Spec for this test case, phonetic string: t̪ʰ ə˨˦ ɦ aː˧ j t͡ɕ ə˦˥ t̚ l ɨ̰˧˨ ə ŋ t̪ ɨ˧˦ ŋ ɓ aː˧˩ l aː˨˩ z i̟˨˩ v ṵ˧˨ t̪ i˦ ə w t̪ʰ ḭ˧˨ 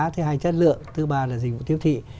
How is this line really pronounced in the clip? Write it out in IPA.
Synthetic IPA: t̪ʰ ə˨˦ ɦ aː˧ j t͡ɕ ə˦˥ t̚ l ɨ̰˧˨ ə ŋ t̪ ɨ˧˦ ɓ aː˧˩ l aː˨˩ z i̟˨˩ v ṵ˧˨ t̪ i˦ ə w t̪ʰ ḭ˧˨